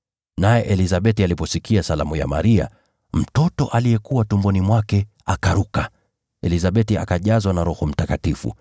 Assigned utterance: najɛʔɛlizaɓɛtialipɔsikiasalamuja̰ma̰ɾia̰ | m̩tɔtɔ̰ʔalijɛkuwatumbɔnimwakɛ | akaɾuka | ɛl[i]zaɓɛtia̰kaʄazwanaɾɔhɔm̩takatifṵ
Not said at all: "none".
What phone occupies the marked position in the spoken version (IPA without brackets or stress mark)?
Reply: i